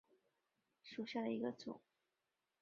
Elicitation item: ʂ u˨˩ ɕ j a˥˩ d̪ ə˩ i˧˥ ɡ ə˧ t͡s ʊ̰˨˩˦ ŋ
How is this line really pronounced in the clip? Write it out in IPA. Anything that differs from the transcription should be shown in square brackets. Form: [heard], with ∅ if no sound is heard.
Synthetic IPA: ʂ u˨˩ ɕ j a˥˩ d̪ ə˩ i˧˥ ɡ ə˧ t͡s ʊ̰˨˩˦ ŋ